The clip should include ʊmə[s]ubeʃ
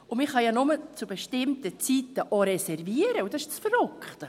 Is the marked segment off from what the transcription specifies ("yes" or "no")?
yes